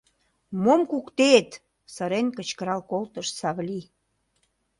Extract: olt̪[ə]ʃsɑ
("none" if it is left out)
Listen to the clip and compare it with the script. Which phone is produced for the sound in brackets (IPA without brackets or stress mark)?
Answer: ə